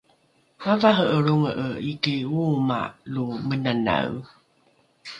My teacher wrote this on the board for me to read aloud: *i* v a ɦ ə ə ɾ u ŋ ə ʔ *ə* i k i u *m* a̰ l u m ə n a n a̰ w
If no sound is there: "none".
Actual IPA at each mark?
a, ə, m

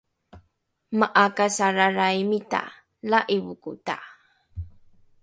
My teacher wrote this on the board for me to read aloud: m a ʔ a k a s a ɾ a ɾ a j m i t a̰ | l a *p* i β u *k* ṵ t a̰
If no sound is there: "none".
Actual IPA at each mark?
ʔ, k

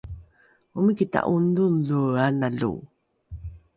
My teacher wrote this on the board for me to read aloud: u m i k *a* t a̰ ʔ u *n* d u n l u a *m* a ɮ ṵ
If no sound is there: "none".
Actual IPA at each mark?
i, n, n

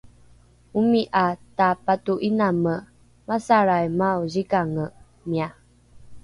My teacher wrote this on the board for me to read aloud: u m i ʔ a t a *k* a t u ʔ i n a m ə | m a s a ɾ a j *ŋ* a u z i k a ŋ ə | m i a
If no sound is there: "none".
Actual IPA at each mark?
p, m

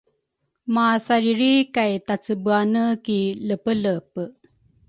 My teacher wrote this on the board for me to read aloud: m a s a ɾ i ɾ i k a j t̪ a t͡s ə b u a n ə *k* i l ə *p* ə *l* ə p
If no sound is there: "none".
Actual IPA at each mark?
k, p, l

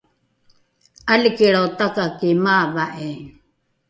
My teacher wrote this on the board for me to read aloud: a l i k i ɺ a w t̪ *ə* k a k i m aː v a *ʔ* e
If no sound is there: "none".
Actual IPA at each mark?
a, ʔ

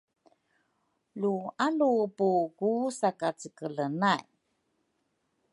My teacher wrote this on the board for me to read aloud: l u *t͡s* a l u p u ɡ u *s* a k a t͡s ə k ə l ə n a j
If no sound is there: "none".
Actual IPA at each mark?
none, s

